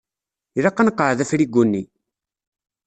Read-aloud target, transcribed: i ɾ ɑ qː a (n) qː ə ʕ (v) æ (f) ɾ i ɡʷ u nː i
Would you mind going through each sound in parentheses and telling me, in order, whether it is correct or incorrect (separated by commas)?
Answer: correct, incorrect, correct